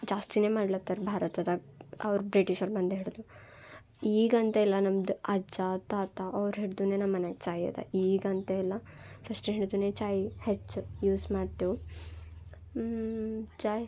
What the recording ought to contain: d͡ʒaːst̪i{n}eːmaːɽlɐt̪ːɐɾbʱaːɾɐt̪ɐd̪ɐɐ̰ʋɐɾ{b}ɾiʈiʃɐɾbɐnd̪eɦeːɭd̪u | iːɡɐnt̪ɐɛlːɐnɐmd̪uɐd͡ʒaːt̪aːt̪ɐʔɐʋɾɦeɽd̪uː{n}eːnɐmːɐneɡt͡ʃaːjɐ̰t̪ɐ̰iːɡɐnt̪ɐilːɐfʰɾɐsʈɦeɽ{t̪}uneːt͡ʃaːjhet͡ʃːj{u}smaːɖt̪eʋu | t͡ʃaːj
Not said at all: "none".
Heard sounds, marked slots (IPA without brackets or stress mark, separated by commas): n, b, n, d̪, uː